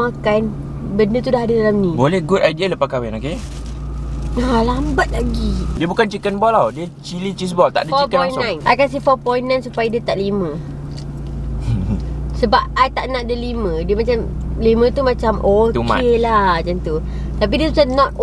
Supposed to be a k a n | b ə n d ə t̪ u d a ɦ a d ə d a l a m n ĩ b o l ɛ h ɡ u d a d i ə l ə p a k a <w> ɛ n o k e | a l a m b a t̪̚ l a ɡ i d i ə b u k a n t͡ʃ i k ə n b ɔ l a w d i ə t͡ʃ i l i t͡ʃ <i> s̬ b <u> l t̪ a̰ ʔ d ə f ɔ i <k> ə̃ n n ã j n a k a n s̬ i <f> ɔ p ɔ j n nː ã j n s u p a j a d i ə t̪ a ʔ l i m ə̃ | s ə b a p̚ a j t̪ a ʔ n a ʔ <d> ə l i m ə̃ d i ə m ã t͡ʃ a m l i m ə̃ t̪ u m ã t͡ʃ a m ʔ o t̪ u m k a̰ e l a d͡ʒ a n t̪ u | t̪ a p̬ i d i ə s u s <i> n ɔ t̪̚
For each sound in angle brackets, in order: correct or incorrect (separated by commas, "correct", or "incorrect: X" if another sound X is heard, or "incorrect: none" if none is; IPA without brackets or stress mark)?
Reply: correct, correct, incorrect: ɔ, correct, correct, correct, incorrect: a